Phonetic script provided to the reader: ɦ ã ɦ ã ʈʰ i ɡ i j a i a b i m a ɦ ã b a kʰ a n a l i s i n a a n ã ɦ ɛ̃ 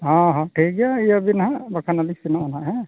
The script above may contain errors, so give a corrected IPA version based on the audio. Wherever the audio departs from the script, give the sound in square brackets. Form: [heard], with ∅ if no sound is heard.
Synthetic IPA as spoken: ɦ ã ɦ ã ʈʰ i ɡ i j a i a b i [n] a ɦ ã b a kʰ a n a l i s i n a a n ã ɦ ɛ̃